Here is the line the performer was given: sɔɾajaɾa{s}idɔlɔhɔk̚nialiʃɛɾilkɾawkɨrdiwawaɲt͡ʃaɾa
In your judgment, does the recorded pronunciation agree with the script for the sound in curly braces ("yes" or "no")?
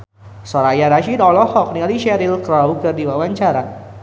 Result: no